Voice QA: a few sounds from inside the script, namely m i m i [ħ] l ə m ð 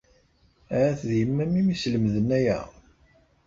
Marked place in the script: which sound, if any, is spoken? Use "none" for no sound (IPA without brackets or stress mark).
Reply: s